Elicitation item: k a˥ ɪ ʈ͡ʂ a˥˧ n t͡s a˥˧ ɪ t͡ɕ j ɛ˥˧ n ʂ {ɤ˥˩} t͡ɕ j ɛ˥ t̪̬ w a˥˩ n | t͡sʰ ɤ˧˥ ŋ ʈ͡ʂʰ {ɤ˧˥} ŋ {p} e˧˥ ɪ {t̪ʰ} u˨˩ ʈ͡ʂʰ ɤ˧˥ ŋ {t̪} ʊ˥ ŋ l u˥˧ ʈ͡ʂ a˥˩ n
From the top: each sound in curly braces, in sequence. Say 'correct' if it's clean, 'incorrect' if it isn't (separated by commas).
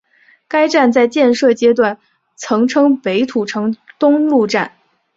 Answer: correct, incorrect, correct, correct, correct